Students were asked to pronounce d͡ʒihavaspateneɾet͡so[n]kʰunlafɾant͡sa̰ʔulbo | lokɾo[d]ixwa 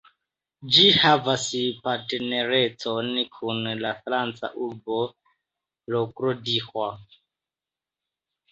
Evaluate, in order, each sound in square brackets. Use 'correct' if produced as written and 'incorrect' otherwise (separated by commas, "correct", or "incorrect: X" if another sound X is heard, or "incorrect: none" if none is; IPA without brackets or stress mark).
correct, correct